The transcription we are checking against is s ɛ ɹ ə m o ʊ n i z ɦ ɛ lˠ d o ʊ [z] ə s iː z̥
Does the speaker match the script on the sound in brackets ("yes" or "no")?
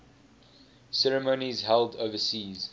no